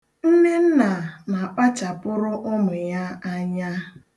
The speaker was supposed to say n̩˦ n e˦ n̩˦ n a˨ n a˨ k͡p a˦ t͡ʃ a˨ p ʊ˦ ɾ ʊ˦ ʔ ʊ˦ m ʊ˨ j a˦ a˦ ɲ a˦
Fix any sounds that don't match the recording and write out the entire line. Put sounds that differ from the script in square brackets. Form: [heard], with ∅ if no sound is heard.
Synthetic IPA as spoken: n̩˦ n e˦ n̩˦ n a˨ n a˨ k͡p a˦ t͡ʃ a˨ p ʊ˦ ɾ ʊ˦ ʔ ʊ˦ m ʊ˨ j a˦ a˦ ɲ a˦

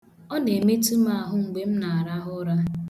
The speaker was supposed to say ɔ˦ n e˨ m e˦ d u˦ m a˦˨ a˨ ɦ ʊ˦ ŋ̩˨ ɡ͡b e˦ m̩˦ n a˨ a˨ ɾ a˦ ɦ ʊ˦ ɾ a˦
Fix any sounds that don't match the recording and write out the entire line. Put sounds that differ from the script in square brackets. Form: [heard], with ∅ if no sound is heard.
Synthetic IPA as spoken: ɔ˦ n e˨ m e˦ [t] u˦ m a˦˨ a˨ ɦ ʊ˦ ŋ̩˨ ɡ͡b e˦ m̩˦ n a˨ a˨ ɾ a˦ ɦ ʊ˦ ɾ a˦

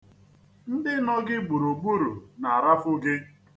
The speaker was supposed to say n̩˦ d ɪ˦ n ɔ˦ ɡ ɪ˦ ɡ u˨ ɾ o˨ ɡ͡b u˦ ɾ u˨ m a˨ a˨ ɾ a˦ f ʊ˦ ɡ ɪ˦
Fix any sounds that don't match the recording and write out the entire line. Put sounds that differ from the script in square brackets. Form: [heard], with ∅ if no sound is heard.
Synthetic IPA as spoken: n̩˦ d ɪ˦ n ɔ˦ ɡ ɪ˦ [ɡ͡b] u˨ ɾ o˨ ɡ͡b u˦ ɾ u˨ [n] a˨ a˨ ɾ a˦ f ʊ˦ ɡ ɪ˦

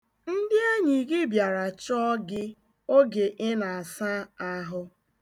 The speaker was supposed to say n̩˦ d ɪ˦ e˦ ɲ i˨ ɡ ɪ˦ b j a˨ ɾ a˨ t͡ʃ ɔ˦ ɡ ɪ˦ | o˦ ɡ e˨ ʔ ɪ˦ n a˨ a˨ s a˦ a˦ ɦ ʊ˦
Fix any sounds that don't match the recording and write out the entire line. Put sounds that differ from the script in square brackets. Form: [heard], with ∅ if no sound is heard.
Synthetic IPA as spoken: n̩˦ d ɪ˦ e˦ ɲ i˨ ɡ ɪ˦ b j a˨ ɾ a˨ t͡ʃ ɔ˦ ɡ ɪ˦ | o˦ ɡ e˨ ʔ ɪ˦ n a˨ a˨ s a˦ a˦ ɦ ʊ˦

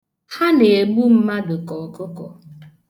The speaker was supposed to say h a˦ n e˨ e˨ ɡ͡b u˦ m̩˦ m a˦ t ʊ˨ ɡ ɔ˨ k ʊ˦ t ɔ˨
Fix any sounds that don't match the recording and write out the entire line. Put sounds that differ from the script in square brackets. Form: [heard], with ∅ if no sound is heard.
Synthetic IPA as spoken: h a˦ n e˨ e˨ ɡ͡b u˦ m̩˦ m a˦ [d] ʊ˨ [k] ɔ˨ k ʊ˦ [k] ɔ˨

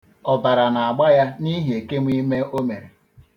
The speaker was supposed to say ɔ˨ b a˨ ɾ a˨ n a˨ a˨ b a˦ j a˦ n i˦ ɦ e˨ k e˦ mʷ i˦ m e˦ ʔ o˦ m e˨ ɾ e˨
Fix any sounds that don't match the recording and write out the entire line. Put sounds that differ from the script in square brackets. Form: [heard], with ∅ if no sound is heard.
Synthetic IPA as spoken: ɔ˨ b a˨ ɾ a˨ n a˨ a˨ [ɡ͡b] a˦ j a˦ n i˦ ɦ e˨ k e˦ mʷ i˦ m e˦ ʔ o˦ m e˨ ɾ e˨

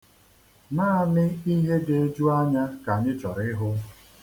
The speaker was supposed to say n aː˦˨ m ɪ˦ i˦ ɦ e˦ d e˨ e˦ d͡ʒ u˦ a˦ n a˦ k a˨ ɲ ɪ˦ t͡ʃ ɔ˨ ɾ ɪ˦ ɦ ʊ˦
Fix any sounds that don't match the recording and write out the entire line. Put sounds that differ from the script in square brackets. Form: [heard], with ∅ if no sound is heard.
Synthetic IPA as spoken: n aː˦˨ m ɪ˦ i˦ ɦ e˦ d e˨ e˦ d͡ʒ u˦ a˦ [ɲ] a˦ k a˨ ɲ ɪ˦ t͡ʃ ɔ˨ ɾ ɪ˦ ɦ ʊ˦

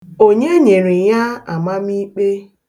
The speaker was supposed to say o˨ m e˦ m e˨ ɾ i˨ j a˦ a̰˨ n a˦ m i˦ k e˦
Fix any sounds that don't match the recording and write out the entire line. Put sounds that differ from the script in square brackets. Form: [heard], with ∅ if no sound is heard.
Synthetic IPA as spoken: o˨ [ɲ] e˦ [ɲ] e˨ ɾ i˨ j a˦ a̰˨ [m] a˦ m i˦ [k͡p] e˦

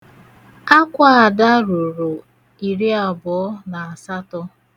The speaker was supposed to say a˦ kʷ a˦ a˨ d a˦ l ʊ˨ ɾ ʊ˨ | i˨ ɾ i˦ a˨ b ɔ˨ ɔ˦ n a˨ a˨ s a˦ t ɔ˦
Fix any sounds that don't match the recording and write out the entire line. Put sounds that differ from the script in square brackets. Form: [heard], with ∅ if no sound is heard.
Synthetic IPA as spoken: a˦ kʷ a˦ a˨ d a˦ [ɾ] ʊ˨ ɾ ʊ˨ | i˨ ɾ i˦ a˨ b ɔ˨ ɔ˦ n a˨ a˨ s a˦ t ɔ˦

